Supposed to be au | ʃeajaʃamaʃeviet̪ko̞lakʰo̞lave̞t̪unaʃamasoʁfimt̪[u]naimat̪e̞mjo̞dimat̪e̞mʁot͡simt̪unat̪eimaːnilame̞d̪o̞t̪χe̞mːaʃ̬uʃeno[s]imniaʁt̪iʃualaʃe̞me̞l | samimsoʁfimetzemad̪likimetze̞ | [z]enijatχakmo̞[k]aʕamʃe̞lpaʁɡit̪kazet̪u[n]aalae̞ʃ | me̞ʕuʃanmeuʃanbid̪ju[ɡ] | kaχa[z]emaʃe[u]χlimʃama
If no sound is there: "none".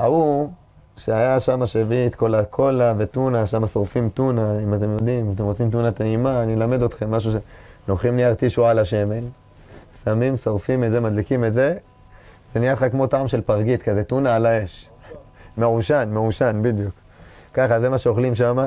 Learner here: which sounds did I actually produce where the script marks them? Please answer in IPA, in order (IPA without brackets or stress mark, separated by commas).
u, χ, v, t, n, k, z, o